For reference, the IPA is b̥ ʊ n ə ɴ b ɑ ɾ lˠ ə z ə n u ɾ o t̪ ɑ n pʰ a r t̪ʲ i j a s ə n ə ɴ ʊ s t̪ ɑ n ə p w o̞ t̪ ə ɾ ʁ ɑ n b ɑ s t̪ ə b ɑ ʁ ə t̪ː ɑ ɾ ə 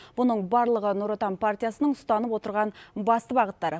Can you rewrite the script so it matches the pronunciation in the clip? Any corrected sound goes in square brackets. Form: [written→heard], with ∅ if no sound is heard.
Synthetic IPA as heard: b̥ ʊ n ə ɴ b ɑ ɾ lˠ ə [z→ʁ] ə n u ɾ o t̪ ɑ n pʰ a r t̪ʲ i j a s ə n ə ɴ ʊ s t̪ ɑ n ə p w o̞ t̪ ə ɾ ʁ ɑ n b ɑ s t̪ ə b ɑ ʁ ə t̪ː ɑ ɾ ə